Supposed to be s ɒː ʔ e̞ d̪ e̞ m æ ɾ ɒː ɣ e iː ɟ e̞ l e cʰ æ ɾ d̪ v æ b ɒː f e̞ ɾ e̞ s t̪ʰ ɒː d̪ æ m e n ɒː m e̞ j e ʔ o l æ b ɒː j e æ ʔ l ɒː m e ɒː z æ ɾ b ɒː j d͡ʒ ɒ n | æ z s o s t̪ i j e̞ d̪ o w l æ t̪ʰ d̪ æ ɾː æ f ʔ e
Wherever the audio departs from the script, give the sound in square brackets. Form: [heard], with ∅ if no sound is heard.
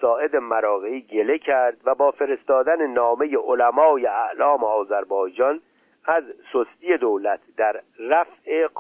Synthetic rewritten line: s ɒː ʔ e̞ d̪ e̞ m æ ɾ ɒː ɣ e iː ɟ e̞ l e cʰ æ ɾ d̪ v æ b ɒː f e̞ ɾ e̞ s [t̪] ɒː d̪ æ [n] e n ɒː m e̞ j e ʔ o l æ [m] ɒː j e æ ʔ l ɒː m e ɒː z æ ɾ b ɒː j d͡ʒ ɒ n | æ z s o s t̪ i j e̞ d̪ o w l æ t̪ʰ d̪ æ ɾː æ f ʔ e